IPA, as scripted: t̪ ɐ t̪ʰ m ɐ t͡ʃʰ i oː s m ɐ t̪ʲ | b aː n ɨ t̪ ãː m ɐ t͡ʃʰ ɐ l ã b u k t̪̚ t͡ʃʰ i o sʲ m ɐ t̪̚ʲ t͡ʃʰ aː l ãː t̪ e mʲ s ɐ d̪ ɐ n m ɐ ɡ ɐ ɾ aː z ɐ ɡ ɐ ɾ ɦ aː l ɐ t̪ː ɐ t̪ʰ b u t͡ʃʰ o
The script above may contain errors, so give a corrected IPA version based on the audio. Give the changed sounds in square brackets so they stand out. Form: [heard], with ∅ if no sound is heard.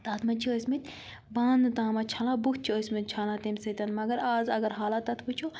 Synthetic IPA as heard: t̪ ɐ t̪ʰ m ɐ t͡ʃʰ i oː s m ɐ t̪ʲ | b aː n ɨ t̪ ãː m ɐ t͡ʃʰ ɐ l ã b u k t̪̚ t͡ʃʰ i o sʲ m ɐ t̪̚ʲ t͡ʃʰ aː l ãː t̪ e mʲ s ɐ [t̪] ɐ n m ɐ ɡ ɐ ɾ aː z ɐ ɡ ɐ ɾ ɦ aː l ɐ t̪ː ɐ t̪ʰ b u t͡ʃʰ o